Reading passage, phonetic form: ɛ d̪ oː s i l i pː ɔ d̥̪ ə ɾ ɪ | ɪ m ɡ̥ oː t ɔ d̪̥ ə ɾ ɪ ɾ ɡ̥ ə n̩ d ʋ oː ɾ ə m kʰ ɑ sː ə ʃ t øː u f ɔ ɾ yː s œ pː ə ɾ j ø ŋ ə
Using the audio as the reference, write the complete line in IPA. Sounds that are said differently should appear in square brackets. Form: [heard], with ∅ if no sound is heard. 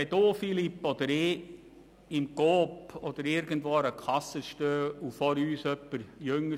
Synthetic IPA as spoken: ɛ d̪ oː [f] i l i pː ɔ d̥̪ ə ɾ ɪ | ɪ m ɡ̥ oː [p] ɔ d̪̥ ə ɾ ɪ ɾ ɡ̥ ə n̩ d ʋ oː ɾ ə [∅] kʰ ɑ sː ə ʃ t øː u f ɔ ɾ yː s œ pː ə ɾ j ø ŋ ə